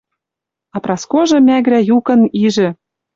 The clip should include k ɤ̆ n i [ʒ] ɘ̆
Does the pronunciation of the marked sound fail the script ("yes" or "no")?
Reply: no